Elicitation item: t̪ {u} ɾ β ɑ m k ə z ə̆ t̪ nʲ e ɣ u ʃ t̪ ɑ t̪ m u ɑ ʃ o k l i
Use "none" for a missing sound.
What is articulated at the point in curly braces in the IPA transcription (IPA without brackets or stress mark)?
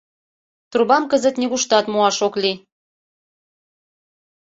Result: u